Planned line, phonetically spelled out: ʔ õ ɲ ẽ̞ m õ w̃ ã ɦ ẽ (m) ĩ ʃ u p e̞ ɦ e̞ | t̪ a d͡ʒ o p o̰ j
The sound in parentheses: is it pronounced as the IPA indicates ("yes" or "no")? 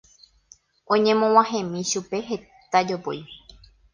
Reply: yes